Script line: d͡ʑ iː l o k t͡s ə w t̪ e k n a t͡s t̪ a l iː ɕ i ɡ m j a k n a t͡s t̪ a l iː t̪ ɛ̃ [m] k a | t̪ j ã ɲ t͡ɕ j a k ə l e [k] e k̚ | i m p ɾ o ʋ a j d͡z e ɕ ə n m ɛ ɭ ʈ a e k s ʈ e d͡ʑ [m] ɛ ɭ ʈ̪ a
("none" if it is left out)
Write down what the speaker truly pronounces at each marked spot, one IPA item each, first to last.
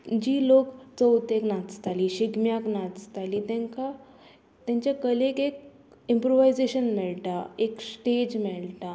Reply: ŋ, k, m

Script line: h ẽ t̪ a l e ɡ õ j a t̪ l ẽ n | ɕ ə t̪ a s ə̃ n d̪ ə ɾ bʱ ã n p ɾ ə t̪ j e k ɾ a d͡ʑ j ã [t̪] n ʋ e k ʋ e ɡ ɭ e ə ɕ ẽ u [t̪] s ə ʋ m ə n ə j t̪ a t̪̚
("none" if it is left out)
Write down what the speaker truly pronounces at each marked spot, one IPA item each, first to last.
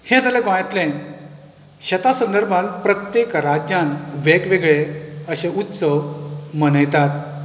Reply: none, t̪

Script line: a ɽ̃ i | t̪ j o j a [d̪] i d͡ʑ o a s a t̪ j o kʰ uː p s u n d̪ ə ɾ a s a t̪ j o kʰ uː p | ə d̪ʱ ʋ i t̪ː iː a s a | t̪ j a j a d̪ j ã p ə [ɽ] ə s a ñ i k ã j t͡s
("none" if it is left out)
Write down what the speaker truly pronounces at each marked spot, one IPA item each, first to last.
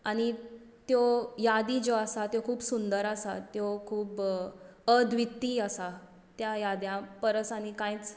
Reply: d̪, ɾ

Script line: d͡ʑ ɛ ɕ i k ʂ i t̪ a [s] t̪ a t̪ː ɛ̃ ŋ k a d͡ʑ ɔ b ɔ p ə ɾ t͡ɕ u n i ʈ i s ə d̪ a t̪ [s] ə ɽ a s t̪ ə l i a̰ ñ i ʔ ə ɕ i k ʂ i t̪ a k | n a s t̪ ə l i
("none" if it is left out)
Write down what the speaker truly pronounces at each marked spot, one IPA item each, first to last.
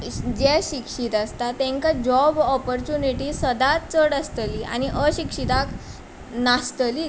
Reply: s, t͡s

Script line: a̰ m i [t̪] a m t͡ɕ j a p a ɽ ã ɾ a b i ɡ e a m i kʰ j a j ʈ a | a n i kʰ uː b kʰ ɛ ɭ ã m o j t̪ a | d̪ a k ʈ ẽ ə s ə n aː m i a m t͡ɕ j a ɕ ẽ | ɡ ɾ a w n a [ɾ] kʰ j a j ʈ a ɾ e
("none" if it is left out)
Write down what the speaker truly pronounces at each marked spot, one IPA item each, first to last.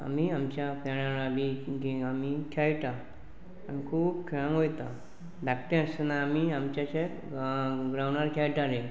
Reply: none, ɾ

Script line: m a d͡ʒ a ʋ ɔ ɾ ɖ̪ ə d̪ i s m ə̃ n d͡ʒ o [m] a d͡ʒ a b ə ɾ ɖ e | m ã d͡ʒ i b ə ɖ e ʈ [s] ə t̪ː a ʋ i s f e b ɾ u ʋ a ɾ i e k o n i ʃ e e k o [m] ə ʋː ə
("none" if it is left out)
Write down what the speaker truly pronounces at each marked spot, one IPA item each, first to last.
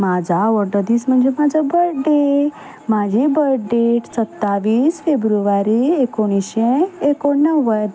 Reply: m, s, n

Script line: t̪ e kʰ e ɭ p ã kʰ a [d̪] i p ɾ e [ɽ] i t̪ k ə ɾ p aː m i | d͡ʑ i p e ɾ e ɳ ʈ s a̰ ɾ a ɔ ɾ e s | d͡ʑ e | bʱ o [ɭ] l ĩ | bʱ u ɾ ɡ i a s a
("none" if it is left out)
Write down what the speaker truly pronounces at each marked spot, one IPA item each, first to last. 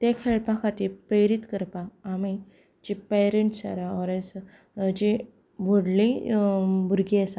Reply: t̪, ɾ, ɽ

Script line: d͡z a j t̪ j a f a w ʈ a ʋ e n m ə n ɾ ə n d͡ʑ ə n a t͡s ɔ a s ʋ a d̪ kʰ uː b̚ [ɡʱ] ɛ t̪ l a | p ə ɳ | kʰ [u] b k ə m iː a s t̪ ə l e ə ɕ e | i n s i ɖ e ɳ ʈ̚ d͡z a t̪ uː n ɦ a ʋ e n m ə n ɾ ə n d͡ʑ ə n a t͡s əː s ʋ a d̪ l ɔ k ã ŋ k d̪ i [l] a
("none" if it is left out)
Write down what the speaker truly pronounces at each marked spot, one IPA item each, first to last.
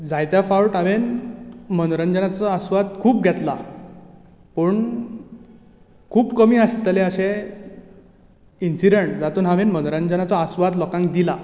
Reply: ɡʱ, uː, l

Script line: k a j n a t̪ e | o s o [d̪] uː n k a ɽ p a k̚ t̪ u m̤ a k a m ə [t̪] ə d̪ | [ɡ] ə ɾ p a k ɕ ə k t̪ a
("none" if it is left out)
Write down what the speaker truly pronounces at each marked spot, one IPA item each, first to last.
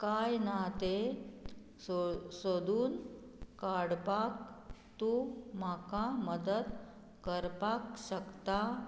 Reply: d̪, d̪, k

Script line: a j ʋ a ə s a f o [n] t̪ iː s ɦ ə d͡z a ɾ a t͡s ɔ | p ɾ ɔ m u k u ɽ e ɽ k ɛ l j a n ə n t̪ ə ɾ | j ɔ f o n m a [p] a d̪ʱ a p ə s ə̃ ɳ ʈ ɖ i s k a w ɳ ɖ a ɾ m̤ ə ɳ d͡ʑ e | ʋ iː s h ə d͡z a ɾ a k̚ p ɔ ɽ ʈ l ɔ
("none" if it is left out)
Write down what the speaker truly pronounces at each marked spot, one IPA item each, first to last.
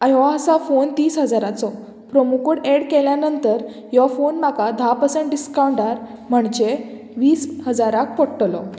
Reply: n, k

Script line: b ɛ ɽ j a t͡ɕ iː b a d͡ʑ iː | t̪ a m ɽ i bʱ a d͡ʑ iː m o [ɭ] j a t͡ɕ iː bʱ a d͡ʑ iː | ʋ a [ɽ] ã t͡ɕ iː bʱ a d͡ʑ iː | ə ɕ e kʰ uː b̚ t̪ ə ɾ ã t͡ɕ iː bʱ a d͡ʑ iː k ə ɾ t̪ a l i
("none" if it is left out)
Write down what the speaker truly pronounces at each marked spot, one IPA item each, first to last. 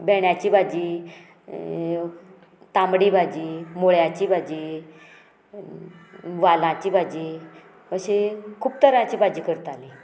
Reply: ɭ, l

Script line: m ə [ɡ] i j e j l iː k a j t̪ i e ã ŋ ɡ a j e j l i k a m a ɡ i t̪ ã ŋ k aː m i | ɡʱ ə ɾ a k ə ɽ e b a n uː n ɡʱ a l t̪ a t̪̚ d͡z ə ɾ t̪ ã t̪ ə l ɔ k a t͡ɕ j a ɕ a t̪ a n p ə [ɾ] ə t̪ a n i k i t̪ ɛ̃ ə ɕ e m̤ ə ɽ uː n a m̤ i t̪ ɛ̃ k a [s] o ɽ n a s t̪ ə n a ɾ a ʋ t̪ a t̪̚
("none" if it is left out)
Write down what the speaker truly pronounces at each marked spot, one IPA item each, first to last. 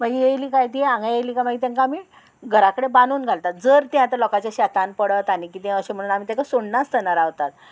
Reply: ɡ, ɽ, s

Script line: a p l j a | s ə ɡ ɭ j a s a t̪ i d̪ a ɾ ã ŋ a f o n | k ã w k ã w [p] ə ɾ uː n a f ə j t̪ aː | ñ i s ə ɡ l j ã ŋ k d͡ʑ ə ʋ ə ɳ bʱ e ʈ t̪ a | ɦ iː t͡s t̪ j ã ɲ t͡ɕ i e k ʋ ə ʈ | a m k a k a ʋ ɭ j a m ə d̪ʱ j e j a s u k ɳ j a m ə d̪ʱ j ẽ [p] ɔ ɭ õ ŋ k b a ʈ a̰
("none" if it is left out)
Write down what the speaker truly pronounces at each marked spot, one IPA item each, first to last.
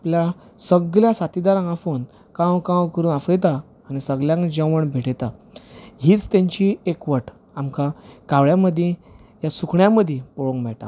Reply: k, p

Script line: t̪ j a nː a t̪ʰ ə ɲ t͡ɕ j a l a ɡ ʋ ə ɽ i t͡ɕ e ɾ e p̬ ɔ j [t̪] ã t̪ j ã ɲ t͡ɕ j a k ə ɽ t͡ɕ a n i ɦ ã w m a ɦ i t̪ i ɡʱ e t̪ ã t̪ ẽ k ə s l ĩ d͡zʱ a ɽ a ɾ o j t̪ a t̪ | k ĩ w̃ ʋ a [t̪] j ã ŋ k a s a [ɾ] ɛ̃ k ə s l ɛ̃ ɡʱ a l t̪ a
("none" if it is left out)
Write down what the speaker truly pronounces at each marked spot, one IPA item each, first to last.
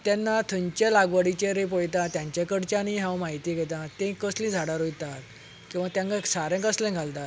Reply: t̪, t̪, ɾ

